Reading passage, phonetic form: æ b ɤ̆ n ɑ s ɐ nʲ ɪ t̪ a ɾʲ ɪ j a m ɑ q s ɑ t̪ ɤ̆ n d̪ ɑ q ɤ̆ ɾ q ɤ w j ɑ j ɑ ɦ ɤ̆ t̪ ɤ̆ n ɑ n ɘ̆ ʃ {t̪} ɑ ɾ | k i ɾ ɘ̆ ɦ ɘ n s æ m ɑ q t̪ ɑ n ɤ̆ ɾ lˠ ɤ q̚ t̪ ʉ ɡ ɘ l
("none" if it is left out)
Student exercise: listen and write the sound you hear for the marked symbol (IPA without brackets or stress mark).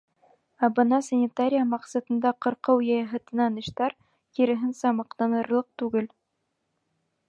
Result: t̪